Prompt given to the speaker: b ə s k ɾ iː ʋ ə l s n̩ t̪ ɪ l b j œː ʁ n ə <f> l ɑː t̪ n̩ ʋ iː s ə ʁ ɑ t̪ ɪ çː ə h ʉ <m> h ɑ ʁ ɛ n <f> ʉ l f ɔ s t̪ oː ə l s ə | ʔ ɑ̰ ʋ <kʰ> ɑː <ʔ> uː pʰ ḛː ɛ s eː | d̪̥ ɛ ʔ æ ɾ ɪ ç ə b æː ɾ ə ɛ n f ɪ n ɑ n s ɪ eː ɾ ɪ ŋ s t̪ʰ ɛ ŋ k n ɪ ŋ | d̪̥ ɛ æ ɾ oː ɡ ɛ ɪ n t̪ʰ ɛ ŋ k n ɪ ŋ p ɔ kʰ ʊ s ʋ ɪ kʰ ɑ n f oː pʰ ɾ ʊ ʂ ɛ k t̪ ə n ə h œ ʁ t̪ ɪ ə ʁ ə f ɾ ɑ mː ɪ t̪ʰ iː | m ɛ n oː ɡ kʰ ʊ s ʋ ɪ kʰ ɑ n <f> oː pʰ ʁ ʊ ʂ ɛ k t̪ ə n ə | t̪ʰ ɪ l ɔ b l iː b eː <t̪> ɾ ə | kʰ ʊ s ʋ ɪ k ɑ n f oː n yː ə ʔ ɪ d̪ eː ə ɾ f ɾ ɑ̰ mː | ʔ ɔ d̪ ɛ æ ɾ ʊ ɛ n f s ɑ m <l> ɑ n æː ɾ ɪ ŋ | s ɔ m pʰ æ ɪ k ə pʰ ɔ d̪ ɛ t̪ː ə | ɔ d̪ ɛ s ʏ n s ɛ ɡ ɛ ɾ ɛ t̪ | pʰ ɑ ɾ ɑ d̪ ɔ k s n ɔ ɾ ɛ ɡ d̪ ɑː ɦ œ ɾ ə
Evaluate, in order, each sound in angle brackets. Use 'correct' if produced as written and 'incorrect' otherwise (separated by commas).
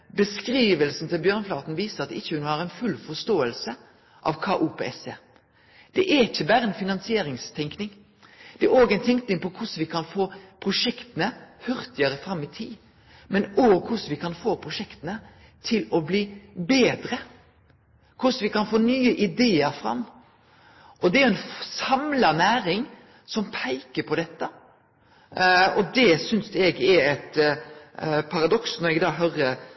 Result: correct, incorrect, correct, correct, correct, correct, incorrect, correct